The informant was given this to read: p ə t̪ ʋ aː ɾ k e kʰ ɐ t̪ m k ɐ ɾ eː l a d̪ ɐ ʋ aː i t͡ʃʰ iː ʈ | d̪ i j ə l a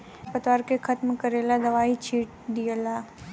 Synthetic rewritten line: p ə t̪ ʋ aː ɾ k e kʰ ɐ t̪ m k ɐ ɾ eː l a d̪ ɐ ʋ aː i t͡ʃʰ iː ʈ | d̪ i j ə l a